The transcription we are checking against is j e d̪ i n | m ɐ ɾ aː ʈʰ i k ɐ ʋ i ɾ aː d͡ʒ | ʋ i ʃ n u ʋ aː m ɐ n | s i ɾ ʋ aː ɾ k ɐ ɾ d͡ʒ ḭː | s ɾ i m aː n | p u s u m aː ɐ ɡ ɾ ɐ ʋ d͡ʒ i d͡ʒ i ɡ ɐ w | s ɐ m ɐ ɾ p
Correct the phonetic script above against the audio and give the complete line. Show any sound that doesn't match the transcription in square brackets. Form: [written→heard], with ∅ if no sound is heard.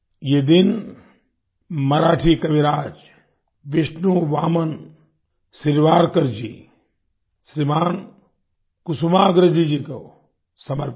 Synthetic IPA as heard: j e d̪ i n | m ɐ ɾ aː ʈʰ i k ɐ ʋ i ɾ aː d͡ʒ | ʋ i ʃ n u ʋ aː m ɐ n | s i ɾ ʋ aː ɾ k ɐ ɾ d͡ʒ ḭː | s ɾ i m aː n | [p→k] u s u m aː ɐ ɡ ɾ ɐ [ʋ→∅] d͡ʒ i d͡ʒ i [ɡ→k] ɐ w | s ɐ m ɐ ɾ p